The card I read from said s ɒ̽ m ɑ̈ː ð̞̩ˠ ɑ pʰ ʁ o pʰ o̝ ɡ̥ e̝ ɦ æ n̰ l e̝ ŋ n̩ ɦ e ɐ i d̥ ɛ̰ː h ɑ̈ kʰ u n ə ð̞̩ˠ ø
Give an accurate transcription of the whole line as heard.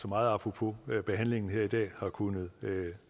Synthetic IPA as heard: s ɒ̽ m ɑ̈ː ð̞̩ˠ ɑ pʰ ʁ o pʰ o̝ b̥ e̝ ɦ æ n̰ l e̝ ŋ n̩ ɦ e ɐ i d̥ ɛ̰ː h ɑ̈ kʰ u n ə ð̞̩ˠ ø

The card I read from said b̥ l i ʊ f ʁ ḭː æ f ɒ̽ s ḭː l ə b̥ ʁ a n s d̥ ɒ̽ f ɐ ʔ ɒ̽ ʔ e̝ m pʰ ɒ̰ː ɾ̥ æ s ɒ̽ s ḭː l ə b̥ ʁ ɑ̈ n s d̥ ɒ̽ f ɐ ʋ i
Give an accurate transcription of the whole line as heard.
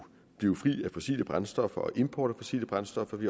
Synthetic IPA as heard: b̥ l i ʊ f ʁ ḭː æ f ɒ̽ s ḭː l ə b̥ ʁ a n s d̥ ɒ̽ f ɐ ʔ ɒ̽ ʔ e̝ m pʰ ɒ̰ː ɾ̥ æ f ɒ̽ s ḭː l ə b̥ ʁ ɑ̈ n s d̥ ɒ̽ f ɐ ʋ i

